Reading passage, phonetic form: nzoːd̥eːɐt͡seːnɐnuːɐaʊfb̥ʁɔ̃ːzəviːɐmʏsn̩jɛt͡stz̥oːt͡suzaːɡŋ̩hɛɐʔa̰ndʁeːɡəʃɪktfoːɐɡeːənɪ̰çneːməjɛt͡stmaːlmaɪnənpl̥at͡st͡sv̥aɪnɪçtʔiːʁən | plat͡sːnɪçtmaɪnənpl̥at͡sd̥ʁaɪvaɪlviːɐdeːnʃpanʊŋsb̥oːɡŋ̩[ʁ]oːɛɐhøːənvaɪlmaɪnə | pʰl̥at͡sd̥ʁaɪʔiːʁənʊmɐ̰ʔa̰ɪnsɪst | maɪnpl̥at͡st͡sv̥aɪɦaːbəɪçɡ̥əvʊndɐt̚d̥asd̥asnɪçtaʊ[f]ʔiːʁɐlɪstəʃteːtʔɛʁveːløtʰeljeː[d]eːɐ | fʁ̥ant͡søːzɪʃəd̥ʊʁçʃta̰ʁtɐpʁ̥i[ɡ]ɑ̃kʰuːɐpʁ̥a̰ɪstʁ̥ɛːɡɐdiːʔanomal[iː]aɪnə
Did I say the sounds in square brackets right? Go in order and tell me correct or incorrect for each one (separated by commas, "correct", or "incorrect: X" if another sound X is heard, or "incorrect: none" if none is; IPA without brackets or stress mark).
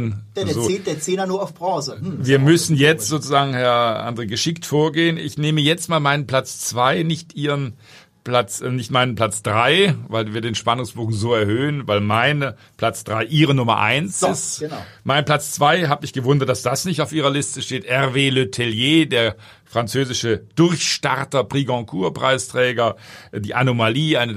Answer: incorrect: z, correct, correct, correct, correct